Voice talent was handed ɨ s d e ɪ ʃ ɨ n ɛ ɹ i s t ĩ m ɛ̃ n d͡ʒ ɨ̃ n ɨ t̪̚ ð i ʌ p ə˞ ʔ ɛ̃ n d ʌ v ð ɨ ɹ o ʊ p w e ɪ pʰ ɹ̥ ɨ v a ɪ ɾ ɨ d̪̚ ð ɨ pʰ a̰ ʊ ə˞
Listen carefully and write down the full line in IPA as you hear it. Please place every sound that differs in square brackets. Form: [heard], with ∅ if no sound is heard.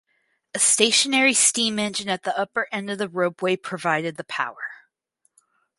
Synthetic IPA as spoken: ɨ s [t] e ɪ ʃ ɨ n ɛ ɹ i s t ĩ m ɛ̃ n d͡ʒ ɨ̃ n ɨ t̪̚ ð i ʌ p ə˞ ʔ ɛ̃ n d ʌ v ð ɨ ɹ o ʊ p w e ɪ pʰ ɹ̥ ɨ v a ɪ ɾ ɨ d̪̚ ð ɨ pʰ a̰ ʊ ə˞